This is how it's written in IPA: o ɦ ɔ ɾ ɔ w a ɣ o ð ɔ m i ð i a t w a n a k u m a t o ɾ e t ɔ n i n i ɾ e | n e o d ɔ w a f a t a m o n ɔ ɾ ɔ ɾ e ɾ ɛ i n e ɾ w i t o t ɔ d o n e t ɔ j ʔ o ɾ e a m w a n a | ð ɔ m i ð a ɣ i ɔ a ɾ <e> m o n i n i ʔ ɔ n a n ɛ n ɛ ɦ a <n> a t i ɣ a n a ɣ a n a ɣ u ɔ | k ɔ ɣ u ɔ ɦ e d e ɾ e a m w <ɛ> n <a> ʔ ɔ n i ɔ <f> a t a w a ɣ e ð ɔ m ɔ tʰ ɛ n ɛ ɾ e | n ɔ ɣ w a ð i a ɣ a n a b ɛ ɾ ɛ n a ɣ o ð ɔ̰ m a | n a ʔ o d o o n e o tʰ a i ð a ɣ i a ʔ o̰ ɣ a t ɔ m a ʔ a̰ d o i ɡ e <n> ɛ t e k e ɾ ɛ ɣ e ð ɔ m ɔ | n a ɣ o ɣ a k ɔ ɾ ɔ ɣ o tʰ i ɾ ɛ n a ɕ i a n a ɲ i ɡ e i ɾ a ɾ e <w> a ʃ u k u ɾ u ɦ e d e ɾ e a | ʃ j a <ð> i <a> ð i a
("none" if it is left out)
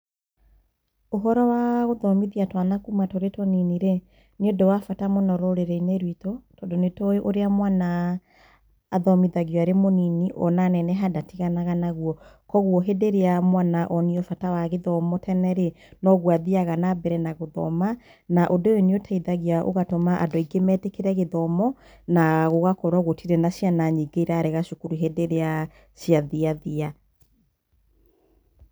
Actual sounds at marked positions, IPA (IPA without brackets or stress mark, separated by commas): e, d, a, a, f, m, ɣ, ð, a